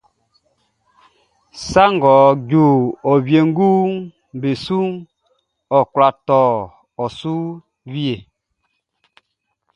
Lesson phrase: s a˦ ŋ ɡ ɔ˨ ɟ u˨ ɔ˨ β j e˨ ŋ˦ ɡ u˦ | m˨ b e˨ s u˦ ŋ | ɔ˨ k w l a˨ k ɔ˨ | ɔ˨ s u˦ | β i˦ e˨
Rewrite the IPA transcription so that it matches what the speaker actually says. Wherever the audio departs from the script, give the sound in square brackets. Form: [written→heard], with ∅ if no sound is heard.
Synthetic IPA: s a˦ ŋ ɡ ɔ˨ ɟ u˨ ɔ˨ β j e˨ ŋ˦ ɡ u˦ | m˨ b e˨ s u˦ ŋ | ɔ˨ k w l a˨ [k→t] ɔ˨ | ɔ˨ s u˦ | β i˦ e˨